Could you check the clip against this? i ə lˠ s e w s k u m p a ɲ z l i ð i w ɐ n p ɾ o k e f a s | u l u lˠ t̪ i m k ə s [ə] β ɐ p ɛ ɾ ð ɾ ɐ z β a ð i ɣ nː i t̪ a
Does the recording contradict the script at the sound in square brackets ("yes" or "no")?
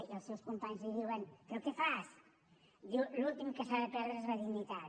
yes